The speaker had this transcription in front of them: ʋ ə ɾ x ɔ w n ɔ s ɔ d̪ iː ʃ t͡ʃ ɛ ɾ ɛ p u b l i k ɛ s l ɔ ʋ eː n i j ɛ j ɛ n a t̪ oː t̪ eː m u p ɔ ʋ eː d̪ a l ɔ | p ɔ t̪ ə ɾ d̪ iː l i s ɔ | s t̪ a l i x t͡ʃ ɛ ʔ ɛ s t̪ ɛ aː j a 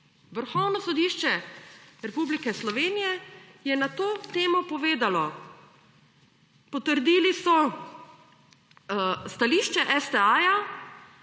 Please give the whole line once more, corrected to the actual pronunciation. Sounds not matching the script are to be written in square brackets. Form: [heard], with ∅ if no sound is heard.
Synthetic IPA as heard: ʋ ə ɾ x ɔ w n ɔ s ɔ d̪ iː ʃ t͡ʃ ɛ ɾ ɛ p u b l i k ɛ s l ɔ ʋ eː n i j ɛ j ɛ n a t̪ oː t̪ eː m [ɔ] p ɔ ʋ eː d̪ a l ɔ | p ɔ t̪ ə ɾ d̪ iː l i s ɔ | s t̪ a l i [ʃ] t͡ʃ ɛ ʔ ɛ s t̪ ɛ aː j a